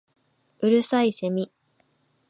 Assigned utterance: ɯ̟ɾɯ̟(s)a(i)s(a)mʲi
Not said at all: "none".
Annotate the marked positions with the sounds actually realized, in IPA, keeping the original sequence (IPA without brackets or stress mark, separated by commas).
s, i, e